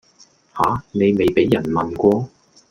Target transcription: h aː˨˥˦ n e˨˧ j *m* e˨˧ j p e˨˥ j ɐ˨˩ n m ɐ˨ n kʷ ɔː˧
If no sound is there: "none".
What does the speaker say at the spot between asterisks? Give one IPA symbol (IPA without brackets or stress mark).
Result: m